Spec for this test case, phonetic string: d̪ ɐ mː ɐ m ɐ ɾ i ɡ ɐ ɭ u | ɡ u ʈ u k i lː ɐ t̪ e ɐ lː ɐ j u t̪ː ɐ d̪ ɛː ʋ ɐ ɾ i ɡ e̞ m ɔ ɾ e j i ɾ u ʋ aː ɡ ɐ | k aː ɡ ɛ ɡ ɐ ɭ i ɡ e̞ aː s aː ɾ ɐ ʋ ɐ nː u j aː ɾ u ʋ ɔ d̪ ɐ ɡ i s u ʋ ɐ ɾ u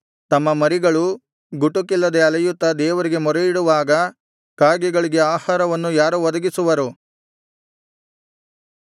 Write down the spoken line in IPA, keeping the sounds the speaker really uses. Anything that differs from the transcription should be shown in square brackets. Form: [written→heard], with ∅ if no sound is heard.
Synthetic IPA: [d̪→t̪] ɐ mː ɐ m ɐ ɾ i ɡ ɐ ɭ u | ɡ u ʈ u k i lː ɐ [t̪→d̪] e ɐ [lː→l] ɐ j u t̪ː ɐ d̪ ɛː ʋ ɐ ɾ i ɡ e̞ m ɔ ɾ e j i [ɾ→ɽ] u ʋ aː ɡ ɐ | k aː ɡ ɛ ɡ ɐ ɭ i ɡ e̞ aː [s→h] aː ɾ ɐ ʋ ɐ nː u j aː ɾ u ʋ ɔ d̪ ɐ ɡ i s u ʋ ɐ ɾ u

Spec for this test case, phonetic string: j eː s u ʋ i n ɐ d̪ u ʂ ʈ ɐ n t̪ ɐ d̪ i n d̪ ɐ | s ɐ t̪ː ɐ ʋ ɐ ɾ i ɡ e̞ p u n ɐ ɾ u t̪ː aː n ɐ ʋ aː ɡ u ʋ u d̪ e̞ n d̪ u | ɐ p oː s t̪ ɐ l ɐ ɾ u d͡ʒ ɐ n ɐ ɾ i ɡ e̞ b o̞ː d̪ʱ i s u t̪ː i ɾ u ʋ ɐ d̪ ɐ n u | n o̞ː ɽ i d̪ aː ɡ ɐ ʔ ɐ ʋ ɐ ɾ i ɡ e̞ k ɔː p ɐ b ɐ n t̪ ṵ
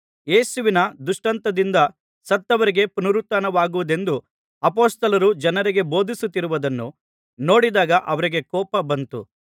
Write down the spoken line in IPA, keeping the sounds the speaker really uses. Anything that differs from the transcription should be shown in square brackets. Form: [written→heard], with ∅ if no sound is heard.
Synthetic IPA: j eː s u ʋ i n ɐ d̪ u ʂ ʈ ɐ n t̪ ɐ d̪ i n d̪ ɐ | s ɐ t̪ː ɐ ʋ ɐ ɾ i ɡ e̞ p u n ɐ ɾ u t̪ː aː n ɐ ʋ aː ɡ u ʋ u d̪ e̞ n d̪ u | ɐ p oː s t̪ ɐ l ɐ ɾ u d͡ʒ ɐ n ɐ ɾ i ɡ e̞ b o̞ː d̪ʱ i s u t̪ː i ɾ u ʋ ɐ d̪ ɐ [n→nː] u | n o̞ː ɽ i d̪ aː ɡ ɐ ʔ ɐ ʋ ɐ ɾ i ɡ e̞ k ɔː p ɐ b ɐ n t̪ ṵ

